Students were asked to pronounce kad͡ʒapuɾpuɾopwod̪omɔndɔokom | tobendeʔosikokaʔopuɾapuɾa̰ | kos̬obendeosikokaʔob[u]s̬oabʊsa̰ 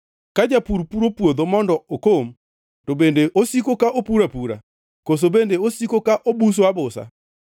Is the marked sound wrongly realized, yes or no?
no